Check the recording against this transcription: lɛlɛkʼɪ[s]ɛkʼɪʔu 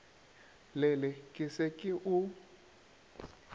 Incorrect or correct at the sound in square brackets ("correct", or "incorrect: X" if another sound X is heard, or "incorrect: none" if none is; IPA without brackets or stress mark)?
correct